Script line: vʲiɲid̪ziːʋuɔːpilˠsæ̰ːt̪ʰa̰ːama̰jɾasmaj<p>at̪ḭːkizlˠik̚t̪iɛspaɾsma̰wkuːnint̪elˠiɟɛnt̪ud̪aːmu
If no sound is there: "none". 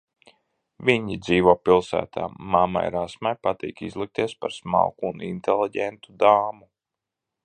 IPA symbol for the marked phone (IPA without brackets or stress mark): p